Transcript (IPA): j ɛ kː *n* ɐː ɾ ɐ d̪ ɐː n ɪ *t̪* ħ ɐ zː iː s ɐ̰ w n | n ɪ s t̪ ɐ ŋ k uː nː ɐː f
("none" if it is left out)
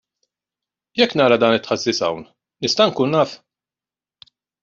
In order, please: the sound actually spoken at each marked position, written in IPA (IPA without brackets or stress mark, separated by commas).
n, t̪